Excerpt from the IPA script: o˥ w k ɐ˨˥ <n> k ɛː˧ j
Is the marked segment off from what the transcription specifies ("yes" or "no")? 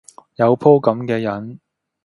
yes